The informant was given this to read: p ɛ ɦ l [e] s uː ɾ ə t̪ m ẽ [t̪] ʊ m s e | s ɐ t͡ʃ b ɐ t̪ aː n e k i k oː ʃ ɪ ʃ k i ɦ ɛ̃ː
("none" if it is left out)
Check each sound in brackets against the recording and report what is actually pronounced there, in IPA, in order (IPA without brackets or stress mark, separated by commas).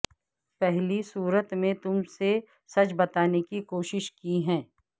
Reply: i, t̪